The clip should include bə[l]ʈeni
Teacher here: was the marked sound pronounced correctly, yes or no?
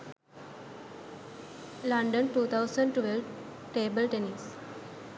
yes